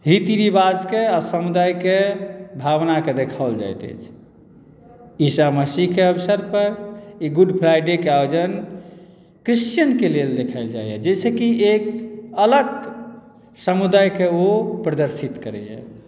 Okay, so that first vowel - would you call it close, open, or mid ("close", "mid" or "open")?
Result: close